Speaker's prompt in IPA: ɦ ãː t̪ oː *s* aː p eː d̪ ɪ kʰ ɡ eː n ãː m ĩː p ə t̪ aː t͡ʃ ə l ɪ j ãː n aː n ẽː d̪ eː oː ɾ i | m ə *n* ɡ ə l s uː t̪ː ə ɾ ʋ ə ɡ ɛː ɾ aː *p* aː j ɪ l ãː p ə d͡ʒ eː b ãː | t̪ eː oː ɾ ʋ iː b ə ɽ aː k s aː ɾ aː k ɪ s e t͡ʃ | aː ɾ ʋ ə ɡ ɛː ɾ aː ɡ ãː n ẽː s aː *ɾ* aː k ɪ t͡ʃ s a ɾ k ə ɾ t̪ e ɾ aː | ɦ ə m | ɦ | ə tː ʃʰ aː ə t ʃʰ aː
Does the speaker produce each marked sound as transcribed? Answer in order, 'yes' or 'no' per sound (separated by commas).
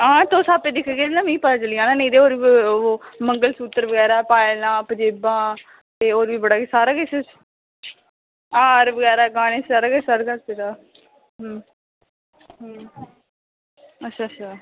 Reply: yes, no, yes, yes